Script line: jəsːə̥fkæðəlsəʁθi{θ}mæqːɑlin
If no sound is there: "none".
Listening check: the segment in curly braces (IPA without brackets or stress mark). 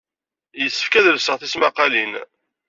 s